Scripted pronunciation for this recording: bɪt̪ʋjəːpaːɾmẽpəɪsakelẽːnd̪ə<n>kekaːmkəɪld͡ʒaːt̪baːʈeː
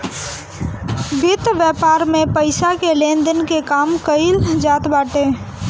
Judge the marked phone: correct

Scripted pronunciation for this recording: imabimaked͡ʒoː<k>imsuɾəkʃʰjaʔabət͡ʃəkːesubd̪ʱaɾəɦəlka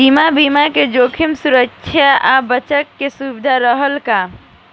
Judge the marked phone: incorrect: kʰ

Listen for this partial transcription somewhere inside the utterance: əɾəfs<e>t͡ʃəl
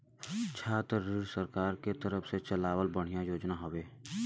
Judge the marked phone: correct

